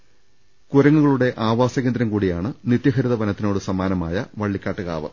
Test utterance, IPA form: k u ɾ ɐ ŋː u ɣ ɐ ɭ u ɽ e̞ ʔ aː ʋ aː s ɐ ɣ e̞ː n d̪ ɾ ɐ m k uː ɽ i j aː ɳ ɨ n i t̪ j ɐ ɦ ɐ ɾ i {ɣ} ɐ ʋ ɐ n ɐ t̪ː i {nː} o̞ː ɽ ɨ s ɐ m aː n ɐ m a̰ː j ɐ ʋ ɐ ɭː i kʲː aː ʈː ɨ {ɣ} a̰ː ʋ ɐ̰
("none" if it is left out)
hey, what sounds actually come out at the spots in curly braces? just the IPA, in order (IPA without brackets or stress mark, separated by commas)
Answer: ð, n, ɣ